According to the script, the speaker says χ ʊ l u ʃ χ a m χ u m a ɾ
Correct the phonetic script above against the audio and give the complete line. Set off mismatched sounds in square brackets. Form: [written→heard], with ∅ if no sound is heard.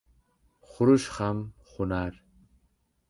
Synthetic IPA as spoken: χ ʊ [l→ɾ] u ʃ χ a m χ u [m→n] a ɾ